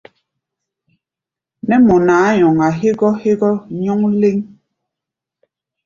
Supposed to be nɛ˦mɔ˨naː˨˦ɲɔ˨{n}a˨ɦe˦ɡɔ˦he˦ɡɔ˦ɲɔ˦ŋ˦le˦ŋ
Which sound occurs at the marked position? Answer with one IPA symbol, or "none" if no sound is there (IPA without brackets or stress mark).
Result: ŋ